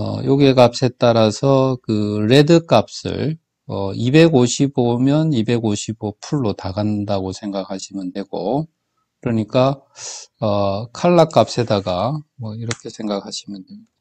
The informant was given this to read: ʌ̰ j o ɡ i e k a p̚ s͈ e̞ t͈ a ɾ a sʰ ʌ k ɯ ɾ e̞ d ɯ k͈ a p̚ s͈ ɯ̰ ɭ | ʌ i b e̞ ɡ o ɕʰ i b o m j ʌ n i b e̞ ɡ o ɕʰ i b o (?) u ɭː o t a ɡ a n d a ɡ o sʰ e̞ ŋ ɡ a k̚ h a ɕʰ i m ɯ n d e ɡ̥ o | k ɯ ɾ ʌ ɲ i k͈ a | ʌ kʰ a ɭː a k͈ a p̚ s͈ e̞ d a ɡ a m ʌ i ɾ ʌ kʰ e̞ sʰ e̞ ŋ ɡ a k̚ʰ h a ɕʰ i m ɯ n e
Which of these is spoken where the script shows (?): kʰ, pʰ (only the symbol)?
pʰ